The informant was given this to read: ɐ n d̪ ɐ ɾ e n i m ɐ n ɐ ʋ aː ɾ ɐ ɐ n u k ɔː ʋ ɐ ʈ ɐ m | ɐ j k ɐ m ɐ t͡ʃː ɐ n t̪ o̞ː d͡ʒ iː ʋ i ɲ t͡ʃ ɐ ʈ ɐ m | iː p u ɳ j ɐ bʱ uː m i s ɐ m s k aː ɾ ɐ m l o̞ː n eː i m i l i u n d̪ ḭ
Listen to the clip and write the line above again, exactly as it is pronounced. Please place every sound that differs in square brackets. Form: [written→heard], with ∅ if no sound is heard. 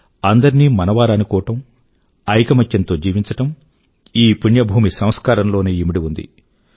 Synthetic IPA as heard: ɐ n d̪ ɐ ɾ [e→i] n i m ɐ n ɐ ʋ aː ɾ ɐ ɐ n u k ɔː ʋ ɐ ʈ ɐ m | ɐ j k ɐ m ɐ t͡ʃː ɐ n t̪ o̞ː d͡ʒ iː ʋ i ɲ t͡ʃ ɐ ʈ ɐ m | iː p u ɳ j ɐ bʱ uː m i s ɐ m s k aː ɾ ɐ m l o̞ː n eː i m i [l→ɽ] i u n d̪ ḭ